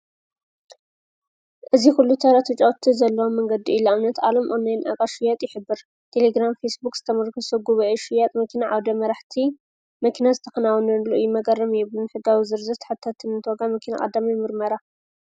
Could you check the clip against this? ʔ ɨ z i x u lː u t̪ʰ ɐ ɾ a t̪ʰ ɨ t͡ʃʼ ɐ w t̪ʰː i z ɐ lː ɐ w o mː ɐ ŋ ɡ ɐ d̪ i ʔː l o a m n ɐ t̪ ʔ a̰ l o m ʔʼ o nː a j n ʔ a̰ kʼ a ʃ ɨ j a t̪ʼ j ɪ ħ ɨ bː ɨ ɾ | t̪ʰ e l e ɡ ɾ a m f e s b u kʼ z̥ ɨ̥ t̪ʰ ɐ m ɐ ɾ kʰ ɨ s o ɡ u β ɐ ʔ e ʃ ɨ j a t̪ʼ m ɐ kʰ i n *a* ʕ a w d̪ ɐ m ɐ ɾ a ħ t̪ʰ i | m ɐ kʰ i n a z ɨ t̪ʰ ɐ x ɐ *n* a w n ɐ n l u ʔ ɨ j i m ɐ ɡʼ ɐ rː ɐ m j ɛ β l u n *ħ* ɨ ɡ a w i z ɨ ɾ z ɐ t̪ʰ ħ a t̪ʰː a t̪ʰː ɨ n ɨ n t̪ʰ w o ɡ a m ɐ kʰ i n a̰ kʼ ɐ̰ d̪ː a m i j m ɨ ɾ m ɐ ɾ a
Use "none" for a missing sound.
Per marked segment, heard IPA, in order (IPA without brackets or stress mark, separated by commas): a, n, ħ